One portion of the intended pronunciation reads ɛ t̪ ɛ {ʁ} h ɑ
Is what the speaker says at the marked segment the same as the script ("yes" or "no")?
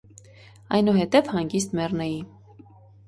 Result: no